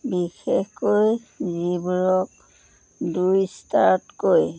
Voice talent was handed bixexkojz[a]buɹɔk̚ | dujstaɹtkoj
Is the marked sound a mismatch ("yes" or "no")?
yes